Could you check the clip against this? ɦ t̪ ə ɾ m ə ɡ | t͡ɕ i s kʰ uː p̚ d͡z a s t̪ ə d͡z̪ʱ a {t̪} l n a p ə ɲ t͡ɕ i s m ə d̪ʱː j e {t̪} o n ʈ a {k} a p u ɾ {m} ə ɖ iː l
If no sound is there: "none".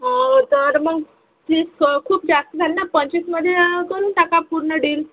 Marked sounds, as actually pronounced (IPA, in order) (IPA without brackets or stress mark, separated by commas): none, d̪, k, ɳ